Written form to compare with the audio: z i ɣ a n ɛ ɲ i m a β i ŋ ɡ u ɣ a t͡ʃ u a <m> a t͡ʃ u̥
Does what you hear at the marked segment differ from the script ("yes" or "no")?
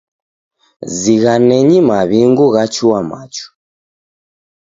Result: no